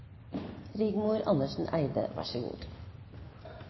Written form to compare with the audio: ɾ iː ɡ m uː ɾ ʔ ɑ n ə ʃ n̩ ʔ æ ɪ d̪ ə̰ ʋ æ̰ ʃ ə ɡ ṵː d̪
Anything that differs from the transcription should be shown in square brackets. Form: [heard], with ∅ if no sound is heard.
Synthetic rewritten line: ɾ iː ɡ m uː ɾ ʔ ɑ n ə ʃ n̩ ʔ æ ɪ d̪ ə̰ ʋ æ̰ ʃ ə ɡ ṵː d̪

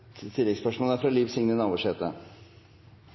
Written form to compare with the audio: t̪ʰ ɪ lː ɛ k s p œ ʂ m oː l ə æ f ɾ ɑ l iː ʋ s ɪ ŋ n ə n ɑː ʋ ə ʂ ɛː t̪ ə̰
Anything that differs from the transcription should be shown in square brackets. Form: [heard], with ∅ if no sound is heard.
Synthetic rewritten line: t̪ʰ ɪ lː ɛ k s p œ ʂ m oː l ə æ f ɾ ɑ l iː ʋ s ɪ ŋ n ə n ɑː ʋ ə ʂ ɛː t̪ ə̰

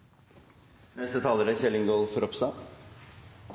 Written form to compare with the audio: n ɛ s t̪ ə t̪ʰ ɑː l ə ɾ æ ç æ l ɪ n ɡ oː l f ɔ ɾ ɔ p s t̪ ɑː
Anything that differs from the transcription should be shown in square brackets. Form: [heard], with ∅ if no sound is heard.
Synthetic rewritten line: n ɛ s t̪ ə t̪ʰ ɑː l ə ɾ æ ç [ɛ] l ɪ [ŋ] ɡ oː l f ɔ ɾ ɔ p s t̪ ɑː

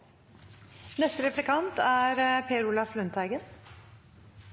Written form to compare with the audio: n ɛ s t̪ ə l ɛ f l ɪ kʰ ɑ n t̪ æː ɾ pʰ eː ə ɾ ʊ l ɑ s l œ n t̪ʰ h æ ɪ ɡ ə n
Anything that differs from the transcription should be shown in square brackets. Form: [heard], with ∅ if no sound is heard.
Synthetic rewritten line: n ɛ s t̪ ə [ɾ] ɛ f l ɪ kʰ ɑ n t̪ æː ɾ pʰ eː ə ɾ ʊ l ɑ [f] l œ n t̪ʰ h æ ɪ ɡ ə n

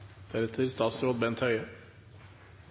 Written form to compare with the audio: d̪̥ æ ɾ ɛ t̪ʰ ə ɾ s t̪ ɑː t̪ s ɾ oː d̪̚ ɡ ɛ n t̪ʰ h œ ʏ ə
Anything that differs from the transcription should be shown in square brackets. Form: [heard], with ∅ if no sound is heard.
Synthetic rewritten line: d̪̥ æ ɾ ɛ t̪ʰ ə ɾ s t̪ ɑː t̪ s ɾ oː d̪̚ [b] ɛ n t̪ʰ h œ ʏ ə

